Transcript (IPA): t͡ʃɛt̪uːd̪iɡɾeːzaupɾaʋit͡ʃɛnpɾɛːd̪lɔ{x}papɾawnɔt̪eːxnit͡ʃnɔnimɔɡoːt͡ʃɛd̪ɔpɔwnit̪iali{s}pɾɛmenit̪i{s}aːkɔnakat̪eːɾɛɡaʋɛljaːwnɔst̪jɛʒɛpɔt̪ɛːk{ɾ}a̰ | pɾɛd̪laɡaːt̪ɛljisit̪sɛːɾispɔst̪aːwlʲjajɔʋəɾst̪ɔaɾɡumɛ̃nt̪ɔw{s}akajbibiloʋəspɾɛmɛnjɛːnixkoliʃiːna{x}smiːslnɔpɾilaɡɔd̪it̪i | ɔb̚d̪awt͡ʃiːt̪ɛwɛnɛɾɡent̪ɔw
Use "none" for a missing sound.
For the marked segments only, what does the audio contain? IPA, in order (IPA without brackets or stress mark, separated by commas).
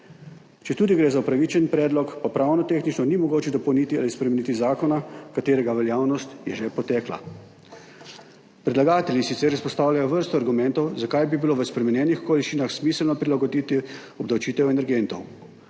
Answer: k, s, z, l, z, x